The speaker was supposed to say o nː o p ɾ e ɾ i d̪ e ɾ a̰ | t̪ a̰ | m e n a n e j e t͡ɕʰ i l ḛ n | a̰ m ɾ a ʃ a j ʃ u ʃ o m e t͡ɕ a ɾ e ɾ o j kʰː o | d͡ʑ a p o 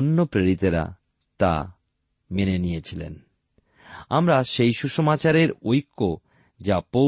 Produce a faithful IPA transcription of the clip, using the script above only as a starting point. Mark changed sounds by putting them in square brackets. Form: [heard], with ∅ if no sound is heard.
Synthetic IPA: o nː o p ɾ e ɾ i [t̪] e ɾ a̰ | t̪ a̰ | m e n [e] n [i] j e t͡ɕʰ i l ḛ n | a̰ m ɾ a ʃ [e] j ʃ u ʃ o m [a] t͡ɕ a ɾ e ɾ o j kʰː o | d͡ʑ a p o